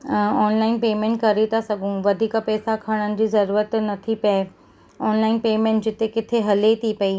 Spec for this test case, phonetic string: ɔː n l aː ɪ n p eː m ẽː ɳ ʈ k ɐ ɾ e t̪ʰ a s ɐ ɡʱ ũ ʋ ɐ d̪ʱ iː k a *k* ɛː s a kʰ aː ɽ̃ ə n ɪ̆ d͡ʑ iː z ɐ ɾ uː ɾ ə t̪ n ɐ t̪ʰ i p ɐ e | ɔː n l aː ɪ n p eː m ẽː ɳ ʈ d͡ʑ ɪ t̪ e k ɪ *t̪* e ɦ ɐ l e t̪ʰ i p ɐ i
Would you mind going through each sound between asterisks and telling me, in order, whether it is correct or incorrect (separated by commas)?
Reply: incorrect, incorrect